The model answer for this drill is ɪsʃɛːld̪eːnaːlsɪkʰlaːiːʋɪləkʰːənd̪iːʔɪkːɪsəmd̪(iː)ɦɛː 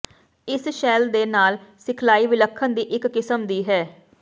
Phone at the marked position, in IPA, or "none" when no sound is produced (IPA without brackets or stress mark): iː